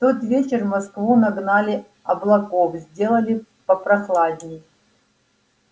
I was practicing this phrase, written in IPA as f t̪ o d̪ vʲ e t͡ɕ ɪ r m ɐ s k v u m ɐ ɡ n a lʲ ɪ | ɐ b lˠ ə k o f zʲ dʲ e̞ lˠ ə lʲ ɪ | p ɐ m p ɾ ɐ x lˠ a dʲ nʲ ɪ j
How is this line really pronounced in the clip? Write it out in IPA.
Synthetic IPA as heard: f t̪ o t̪ vʲ e t͡ɕ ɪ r m ɐ s k v u n ɐ ɡ n a lʲ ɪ | ɐ b lˠ ɐ k o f zʲ dʲ e̞ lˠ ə lʲ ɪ | p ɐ p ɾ ɐ x lˠ a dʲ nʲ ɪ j